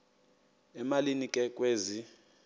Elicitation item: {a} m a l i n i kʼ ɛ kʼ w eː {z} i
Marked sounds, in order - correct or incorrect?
incorrect: ɛ, correct

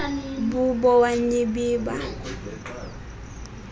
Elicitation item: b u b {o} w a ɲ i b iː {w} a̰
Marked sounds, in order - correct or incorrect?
incorrect: ɔ, incorrect: b

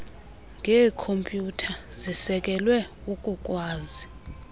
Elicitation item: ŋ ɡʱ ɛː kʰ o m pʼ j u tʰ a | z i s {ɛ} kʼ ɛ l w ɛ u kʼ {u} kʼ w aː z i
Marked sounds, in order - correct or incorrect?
correct, correct

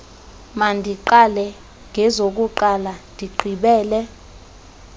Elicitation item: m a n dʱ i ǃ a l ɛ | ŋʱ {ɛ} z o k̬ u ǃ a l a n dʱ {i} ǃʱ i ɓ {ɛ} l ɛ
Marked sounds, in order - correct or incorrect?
correct, correct, incorrect: ɛː

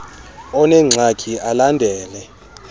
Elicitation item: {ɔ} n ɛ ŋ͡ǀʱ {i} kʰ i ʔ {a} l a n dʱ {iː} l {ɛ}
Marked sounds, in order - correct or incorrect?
correct, incorrect: a, correct, incorrect: ɛː, correct

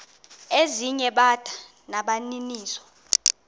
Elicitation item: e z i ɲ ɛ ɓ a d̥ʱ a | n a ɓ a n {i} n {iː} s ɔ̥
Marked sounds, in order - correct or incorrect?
correct, correct

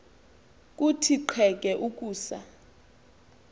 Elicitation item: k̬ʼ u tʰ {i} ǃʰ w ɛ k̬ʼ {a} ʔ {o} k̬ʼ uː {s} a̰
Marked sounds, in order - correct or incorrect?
correct, incorrect: ɛ, incorrect: u, correct

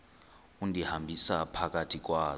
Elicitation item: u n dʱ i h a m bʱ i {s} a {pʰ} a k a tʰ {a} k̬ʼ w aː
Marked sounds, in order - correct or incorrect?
correct, correct, incorrect: i

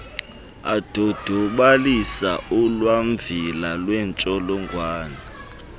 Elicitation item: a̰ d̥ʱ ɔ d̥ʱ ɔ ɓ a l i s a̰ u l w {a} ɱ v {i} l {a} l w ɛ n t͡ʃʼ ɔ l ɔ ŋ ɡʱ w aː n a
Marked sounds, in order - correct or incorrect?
correct, correct, correct

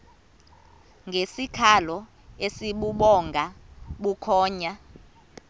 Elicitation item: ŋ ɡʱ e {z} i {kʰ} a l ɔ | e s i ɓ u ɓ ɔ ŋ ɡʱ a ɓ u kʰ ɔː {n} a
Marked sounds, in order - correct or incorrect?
incorrect: s, correct, incorrect: ɲ

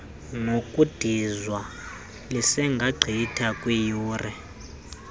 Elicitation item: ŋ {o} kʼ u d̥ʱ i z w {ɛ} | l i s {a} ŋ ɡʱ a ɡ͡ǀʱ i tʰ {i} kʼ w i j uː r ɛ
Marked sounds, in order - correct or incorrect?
correct, incorrect: a, incorrect: ɛ, incorrect: a

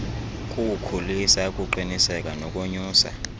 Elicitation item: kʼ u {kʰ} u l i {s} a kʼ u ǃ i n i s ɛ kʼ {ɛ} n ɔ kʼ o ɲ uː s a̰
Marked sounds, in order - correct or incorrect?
correct, correct, incorrect: a

